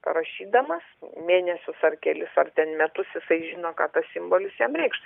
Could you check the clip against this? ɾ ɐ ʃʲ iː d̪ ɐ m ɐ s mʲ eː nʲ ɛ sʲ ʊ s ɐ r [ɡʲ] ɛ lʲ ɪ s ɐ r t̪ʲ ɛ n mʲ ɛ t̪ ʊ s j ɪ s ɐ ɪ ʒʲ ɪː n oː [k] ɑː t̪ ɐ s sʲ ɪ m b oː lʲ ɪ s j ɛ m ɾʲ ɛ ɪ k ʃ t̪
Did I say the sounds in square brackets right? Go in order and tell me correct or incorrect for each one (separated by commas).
incorrect, correct